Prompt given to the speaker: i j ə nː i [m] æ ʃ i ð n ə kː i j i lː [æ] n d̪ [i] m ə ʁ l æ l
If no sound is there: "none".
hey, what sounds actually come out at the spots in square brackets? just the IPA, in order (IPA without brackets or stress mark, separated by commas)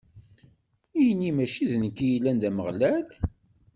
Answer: m, æ, æ